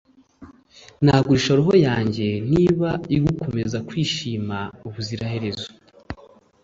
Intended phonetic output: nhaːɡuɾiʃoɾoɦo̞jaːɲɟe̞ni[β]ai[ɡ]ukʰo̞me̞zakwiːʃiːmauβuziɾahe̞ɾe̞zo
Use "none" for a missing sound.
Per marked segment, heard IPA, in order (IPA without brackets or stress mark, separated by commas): β, ɡ